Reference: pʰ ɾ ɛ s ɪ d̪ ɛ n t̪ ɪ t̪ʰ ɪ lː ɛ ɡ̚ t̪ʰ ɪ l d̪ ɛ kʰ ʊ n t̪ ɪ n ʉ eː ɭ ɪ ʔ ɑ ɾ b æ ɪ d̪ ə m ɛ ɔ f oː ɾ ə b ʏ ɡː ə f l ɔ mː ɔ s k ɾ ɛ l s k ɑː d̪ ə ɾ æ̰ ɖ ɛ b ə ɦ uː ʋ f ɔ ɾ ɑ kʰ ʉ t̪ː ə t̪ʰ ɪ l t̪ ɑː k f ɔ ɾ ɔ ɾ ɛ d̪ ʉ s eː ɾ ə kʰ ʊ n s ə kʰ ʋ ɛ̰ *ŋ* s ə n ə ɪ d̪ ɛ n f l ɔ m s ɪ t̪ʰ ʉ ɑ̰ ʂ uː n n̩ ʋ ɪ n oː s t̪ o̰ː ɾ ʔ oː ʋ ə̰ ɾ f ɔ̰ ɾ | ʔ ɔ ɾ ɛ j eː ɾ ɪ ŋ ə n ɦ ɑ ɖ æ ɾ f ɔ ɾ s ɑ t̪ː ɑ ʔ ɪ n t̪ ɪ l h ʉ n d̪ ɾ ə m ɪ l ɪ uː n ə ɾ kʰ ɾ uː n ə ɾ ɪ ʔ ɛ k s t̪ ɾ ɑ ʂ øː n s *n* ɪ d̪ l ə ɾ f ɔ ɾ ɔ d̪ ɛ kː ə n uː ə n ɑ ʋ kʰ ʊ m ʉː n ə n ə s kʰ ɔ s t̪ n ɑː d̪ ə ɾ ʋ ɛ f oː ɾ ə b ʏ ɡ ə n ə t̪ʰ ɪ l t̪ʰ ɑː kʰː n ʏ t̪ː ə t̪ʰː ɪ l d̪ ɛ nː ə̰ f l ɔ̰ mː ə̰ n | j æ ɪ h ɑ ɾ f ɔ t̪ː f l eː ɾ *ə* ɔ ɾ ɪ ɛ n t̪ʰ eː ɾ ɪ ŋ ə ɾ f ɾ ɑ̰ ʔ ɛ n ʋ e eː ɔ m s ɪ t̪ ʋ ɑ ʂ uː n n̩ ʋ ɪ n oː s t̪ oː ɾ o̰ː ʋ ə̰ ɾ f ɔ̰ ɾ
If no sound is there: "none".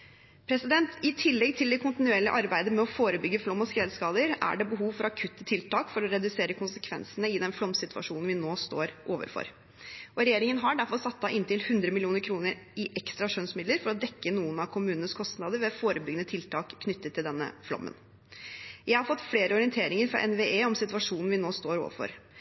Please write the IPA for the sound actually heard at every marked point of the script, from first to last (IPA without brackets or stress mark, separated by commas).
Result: n, m, ə